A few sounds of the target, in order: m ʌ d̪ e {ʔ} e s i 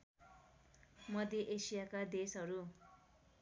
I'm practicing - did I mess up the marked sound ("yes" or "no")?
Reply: no